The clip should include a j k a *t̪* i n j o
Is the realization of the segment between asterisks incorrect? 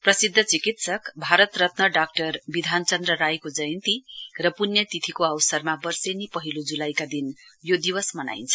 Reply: yes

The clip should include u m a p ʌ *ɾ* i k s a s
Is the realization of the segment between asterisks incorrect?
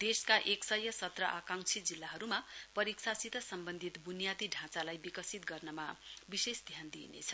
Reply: no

